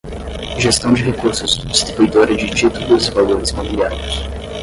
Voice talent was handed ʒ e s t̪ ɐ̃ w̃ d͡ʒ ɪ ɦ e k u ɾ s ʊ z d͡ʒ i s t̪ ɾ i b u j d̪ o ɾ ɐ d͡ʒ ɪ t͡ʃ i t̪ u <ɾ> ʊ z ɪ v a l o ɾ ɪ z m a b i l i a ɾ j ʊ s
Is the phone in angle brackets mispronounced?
yes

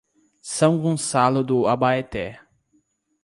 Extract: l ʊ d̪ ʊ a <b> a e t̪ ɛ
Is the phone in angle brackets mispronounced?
no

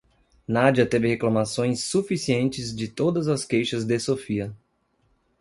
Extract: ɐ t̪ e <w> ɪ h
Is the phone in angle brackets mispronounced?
yes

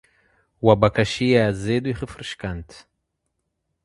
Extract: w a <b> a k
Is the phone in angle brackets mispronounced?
no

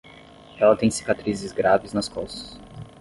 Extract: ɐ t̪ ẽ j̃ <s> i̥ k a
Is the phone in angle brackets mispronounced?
no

